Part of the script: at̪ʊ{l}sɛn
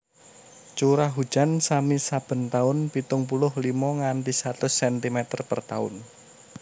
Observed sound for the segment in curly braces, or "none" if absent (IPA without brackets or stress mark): none